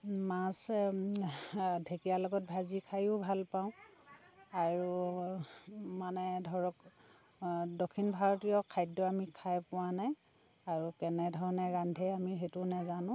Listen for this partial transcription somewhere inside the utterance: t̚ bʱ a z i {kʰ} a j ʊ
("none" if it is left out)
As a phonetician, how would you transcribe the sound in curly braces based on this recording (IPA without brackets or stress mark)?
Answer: kʰ